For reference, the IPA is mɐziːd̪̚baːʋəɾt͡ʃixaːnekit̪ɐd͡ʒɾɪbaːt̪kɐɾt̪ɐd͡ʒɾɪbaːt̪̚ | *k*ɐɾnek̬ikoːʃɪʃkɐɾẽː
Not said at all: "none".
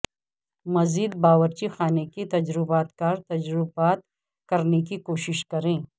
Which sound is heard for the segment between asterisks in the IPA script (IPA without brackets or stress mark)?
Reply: k